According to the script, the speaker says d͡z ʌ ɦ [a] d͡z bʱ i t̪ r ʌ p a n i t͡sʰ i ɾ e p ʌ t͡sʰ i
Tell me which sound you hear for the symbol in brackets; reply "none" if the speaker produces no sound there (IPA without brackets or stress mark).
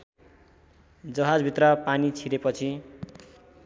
a